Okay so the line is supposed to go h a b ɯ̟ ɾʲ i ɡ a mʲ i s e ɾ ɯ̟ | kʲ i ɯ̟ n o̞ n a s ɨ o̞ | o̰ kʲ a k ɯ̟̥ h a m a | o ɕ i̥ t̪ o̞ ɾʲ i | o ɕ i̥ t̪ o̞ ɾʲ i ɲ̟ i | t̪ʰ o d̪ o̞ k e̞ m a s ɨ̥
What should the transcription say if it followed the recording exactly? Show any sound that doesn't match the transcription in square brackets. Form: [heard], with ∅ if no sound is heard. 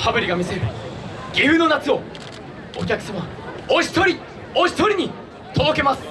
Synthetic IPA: h a b ɯ̟ ɾʲ i ɡ a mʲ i s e ɾ ɯ̟ | [ɡʲ] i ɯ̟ n o̞ n a [t͡s] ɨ o̞ | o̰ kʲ a k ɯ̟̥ [s] a m a | o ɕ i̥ t̪ o̞ ɾʲ i | o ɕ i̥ t̪ o̞ ɾʲ i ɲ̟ i | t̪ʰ o d̪ o̞ k e̞ m a s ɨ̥